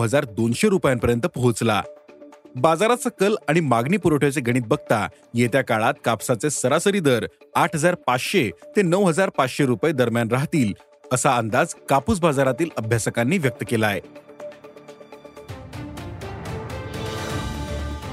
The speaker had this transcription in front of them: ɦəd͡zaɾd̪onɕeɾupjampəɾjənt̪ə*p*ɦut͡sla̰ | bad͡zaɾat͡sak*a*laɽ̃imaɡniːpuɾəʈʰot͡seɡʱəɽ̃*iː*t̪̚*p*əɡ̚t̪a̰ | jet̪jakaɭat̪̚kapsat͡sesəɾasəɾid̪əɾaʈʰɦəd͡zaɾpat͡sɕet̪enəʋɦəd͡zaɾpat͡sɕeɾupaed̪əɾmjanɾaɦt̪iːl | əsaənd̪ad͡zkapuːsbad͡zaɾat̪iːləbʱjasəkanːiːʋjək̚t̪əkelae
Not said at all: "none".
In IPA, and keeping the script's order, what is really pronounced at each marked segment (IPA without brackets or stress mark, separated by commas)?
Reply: p, ə, iː, b